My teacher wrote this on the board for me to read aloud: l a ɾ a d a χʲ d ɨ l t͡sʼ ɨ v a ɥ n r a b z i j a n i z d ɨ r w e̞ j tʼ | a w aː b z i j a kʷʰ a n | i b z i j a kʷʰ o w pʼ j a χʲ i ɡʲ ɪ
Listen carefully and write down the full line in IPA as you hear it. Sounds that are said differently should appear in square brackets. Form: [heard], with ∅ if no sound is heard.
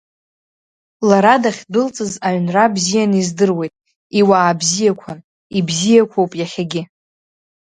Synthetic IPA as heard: l a ɾ a d a χʲ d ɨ l t͡sʼ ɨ [z] a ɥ n r a b z i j a n i z d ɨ r w e̞ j tʼ | [i] w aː b z i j a kʷʰ a n | i b z i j a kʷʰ o w pʼ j a χʲ [a] ɡʲ ɪ

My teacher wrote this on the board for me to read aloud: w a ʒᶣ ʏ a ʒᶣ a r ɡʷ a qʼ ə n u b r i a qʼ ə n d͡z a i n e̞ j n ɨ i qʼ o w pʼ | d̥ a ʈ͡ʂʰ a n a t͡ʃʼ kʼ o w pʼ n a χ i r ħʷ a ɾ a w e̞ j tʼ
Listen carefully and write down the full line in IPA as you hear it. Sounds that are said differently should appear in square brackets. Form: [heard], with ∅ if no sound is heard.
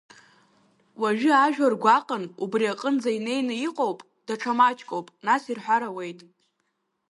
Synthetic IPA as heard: w a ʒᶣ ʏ a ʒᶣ a r ɡʷ a qʼ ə n u b r i a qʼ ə n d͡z a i n e̞ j n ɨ i qʼ o w pʼ | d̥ a ʈ͡ʂʰ a [m] a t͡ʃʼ kʼ o w pʼ n a [s] i r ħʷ a ɾ a w e̞ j tʼ

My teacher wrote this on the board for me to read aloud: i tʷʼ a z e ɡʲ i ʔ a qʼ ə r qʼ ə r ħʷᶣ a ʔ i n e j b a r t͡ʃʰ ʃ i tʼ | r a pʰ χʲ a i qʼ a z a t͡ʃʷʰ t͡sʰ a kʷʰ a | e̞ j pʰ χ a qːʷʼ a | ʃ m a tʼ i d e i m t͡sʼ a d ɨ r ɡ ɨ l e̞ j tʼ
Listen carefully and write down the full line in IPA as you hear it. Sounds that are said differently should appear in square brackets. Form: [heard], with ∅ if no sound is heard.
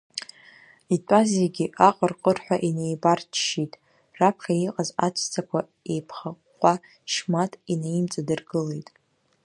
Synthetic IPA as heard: i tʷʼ a z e ɡʲ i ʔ a qʼ ə r qʼ ə r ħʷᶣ a ʔ i n e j b a r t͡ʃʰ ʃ i tʼ | r a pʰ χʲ a i qʼ a z a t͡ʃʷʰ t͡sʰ a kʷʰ a | e̞ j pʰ χ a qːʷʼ a | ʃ m a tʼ i [n] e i m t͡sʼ a d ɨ r ɡ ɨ l e̞ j tʼ

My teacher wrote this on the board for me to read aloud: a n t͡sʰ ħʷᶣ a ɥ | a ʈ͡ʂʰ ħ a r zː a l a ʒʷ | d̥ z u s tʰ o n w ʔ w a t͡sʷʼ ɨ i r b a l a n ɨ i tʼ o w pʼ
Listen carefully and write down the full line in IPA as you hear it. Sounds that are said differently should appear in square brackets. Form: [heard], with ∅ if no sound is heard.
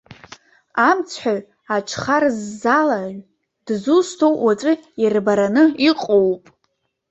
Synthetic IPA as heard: a [m] t͡sʰ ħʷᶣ a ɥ | a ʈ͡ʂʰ [χ] a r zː a l a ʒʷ | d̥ z u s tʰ o [∅] w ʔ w a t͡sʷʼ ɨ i r b a [ɾ] a n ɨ i [qʼ] o w pʼ

